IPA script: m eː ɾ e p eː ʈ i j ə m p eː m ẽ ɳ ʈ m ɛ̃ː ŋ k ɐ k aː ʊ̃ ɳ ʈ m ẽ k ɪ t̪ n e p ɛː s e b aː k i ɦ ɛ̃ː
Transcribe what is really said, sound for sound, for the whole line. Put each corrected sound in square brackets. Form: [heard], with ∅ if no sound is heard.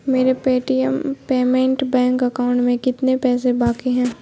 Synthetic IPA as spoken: m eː ɾ e p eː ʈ i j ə m p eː m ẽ ɳ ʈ [b] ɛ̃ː ŋ k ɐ k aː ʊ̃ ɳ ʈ m ẽ k ɪ t̪ n e p ɛː s e b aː k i ɦ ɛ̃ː